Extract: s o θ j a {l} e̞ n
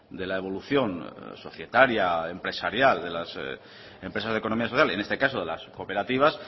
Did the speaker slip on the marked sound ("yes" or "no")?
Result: no